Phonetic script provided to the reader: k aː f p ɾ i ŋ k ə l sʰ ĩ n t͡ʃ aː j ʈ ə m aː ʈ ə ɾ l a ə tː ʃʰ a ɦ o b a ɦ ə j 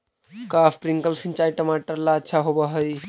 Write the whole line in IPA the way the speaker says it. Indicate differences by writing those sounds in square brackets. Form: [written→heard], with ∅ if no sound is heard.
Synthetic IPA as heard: k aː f p ɾ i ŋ k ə l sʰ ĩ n t͡ʃ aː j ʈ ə m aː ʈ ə ɾ l a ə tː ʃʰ a ɦ o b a ɦ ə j